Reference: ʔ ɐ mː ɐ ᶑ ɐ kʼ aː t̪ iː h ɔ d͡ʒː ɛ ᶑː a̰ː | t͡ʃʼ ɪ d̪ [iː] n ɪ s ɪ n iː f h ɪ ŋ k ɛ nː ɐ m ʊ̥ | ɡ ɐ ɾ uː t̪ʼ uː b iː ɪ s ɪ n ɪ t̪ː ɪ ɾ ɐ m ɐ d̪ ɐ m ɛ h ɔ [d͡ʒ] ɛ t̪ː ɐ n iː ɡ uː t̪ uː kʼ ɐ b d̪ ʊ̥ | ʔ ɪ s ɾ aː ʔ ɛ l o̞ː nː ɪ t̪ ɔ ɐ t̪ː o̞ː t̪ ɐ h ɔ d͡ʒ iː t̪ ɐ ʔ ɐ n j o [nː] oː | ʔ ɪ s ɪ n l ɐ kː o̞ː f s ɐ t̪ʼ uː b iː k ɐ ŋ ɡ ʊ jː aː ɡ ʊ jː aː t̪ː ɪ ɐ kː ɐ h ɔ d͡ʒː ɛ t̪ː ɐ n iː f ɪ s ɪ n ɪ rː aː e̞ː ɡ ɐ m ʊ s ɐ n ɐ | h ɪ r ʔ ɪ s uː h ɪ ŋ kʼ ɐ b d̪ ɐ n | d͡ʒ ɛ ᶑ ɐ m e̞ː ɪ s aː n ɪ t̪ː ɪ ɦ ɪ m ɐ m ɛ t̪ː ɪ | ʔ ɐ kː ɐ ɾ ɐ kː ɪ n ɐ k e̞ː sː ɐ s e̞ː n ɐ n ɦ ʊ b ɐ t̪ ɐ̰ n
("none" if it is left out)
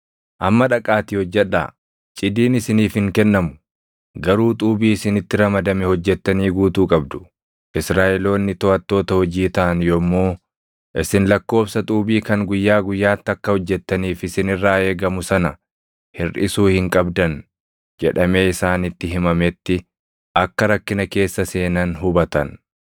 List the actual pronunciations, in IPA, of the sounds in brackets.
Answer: iː, d͡ʒː, mː

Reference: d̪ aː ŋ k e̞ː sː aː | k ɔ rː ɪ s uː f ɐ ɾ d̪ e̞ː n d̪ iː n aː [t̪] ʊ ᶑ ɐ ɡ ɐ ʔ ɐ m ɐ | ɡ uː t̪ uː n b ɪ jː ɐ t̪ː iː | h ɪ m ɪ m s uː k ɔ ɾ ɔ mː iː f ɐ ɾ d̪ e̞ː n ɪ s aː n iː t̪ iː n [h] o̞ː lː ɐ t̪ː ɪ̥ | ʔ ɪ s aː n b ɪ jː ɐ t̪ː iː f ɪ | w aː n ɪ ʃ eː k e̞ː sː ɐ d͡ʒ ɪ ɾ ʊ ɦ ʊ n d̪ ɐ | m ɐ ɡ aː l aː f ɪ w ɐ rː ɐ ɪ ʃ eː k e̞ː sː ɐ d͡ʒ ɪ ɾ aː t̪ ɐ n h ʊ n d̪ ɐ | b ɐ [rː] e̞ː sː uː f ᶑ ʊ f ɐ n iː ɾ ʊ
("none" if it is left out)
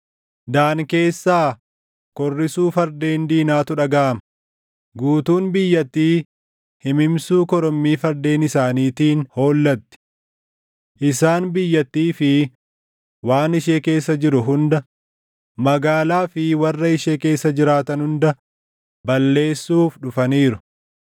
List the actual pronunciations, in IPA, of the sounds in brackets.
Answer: t̪, h, lː

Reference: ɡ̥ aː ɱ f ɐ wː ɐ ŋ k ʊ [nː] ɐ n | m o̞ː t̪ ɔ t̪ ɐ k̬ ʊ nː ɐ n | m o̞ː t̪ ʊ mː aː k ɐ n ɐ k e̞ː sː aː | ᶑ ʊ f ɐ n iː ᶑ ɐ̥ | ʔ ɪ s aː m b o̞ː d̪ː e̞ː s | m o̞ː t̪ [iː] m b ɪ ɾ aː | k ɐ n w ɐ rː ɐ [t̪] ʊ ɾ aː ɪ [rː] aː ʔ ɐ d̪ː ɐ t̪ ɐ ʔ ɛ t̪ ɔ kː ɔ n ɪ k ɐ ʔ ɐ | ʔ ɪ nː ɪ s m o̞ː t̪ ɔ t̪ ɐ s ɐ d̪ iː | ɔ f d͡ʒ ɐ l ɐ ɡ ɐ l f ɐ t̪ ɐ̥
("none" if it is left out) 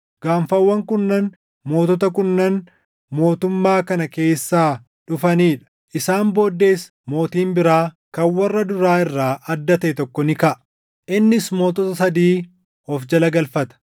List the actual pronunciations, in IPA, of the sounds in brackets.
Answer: nː, iː, d̪, rː

